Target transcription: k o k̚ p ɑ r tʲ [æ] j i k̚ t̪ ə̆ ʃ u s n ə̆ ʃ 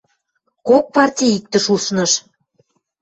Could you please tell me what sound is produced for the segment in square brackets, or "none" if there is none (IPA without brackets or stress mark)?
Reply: i